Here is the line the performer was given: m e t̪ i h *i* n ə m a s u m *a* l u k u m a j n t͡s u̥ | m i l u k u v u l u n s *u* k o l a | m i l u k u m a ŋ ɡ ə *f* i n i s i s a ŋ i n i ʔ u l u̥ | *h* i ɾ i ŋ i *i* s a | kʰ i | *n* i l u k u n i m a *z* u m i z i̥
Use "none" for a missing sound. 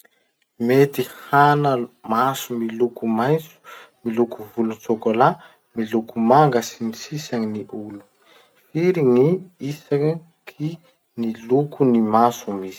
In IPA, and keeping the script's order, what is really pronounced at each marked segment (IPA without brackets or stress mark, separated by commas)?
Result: a, i, o, s, f, i, n, s